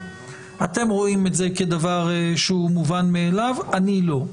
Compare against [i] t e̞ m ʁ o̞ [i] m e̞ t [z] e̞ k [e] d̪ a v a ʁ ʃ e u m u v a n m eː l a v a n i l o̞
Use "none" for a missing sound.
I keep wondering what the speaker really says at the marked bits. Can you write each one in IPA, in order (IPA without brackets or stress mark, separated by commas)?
a, i, z, e